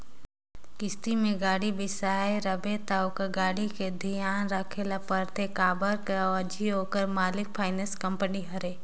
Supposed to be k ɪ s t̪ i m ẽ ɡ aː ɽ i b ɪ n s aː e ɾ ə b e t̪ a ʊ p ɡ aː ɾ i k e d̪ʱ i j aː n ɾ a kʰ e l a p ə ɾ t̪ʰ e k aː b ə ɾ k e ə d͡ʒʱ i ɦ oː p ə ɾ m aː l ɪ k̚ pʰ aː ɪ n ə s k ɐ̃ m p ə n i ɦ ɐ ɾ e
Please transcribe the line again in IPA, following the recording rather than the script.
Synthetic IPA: k ɪ s t̪ i m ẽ ɡ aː ɽ i b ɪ s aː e ɾ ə b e t̪ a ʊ k ɡ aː ɽ i k e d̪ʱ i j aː n ɾ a kʰ e l a p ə ɾ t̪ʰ e k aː b ə ɾ k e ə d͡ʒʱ i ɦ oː k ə ɾ m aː l ɪ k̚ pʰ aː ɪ n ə s k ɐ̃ m p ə n i ɦ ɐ ɾ e